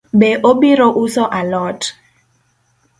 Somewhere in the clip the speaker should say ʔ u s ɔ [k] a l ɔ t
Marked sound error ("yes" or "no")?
yes